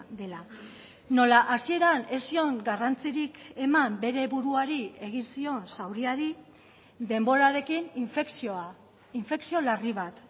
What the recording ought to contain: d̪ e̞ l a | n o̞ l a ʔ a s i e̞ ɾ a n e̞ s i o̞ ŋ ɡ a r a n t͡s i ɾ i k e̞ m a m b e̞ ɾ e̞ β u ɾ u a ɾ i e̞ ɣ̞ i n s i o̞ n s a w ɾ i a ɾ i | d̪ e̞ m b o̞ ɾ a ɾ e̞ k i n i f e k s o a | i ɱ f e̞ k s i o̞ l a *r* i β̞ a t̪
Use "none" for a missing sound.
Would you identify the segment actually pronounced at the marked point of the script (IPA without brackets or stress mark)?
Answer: r